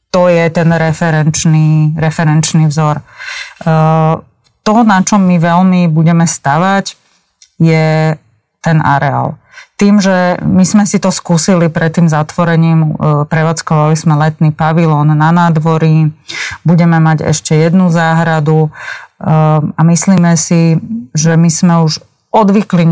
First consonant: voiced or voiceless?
voiceless